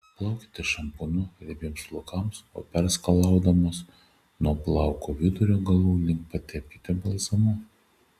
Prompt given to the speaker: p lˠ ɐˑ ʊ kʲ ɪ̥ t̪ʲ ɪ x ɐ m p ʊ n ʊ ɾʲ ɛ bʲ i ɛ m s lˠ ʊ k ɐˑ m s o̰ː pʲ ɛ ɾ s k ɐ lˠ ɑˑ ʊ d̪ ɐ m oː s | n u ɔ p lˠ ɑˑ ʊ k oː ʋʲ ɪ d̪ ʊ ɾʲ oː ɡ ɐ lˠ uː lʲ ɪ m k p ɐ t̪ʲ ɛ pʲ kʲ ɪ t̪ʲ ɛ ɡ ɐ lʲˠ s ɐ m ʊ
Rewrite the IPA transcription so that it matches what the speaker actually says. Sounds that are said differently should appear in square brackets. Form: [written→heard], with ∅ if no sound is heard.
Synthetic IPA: p lˠ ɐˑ ʊ kʲ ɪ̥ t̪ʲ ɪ [x→ʃ] ɐ m p ʊ n ʊ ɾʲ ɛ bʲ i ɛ m s lˠ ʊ k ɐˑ m s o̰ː pʲ ɛ ɾ s k ɐ lˠ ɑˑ ʊ d̪ ɐ m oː s | n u ɔ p lˠ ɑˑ ʊ k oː ʋʲ ɪ d̪ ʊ ɾʲ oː ɡ ɐ lˠ uː lʲ ɪ [m→ŋ] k p ɐ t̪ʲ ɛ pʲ kʲ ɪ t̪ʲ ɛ [ɡ→b] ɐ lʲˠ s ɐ m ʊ